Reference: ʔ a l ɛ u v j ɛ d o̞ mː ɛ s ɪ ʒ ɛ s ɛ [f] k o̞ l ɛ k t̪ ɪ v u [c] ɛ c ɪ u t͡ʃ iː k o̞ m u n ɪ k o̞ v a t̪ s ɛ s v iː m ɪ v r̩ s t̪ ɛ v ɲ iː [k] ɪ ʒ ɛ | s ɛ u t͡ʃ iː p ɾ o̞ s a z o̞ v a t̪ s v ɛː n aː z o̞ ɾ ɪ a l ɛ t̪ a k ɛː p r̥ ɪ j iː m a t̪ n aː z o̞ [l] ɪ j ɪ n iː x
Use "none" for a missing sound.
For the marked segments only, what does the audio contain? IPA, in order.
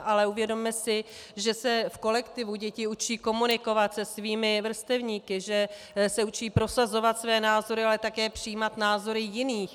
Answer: f, ɟ, k, ɾ

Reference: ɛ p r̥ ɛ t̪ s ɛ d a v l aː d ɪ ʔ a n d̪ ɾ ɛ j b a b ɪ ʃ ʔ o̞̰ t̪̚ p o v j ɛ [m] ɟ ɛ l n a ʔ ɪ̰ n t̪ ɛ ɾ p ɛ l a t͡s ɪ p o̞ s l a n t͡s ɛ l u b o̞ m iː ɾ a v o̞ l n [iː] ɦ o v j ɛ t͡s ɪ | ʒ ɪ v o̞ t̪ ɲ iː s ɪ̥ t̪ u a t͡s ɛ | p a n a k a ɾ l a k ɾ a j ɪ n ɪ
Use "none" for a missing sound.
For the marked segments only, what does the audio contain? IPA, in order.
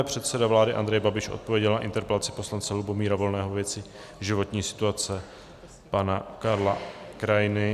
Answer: none, ɛː

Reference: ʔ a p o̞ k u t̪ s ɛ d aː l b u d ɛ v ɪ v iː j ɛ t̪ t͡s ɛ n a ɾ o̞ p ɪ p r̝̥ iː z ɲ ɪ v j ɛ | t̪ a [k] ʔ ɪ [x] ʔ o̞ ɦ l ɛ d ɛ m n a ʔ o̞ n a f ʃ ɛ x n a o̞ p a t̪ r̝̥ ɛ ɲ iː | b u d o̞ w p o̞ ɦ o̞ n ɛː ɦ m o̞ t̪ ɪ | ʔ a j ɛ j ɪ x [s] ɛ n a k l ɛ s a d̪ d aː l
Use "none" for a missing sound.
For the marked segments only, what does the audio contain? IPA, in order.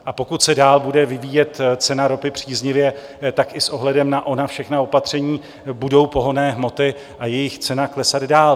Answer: k, s, t͡s

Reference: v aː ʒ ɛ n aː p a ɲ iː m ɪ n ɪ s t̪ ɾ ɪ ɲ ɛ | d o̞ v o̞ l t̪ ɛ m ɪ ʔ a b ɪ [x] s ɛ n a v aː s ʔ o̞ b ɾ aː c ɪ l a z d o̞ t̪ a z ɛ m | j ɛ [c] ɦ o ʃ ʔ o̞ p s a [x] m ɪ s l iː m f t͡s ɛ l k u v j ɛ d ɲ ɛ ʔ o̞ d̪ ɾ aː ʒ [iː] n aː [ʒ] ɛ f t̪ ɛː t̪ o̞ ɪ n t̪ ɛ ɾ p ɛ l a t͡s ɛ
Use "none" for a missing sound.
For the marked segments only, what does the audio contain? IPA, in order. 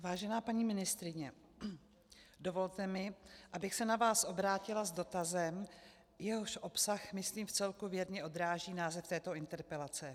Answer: x, none, x, iː, z

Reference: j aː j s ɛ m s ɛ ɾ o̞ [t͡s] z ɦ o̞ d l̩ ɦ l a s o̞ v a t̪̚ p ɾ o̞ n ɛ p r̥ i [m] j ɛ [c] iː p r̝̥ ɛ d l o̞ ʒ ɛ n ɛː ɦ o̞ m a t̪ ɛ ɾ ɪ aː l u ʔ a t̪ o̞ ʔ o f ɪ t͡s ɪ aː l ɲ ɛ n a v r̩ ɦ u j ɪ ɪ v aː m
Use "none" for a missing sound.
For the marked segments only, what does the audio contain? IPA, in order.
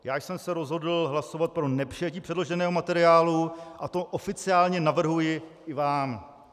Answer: none, none, c

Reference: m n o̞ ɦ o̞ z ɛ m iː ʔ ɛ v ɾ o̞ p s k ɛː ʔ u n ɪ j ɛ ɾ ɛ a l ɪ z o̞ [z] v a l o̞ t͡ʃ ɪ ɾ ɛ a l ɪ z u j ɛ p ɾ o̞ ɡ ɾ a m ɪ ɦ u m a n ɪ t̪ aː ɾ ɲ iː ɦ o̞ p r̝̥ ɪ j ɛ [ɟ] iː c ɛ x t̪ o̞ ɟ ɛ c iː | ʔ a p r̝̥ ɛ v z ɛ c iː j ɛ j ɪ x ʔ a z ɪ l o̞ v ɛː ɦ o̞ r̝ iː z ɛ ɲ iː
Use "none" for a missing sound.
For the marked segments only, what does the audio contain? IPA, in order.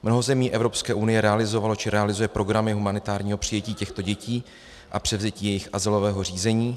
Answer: none, c

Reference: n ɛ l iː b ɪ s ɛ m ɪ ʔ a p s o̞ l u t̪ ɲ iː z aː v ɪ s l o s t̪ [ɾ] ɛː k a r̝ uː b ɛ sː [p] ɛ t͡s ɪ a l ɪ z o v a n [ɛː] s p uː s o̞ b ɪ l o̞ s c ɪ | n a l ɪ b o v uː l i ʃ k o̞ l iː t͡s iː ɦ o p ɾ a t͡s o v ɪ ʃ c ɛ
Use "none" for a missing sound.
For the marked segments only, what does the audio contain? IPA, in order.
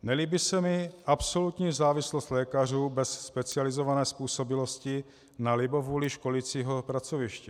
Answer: l, p, ɛː

